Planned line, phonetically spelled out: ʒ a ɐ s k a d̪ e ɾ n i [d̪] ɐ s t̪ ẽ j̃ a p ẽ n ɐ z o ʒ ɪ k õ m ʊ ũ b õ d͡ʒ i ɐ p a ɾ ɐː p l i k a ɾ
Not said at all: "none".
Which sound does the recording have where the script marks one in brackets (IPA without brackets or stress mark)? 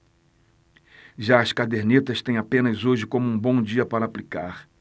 t̪